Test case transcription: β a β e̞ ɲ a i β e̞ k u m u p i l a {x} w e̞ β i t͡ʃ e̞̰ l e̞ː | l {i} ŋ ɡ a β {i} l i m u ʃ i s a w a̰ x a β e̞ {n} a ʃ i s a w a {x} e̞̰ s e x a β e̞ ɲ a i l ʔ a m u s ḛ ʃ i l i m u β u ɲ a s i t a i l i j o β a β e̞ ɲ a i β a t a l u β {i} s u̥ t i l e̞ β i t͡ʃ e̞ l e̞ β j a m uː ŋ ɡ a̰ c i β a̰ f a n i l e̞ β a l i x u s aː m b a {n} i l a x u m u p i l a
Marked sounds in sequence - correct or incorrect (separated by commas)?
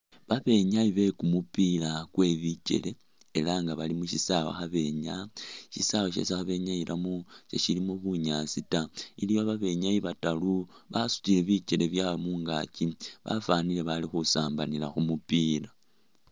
incorrect, incorrect, incorrect, incorrect, incorrect, incorrect, correct